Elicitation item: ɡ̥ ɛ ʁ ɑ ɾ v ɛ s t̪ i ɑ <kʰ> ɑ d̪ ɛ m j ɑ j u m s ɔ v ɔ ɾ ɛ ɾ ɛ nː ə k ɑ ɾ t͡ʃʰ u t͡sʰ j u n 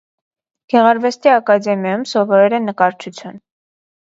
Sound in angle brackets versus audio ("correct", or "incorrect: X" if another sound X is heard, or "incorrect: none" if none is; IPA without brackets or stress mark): incorrect: k